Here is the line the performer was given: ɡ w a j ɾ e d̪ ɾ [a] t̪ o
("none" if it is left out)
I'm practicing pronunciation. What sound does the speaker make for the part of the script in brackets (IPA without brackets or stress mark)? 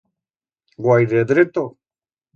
e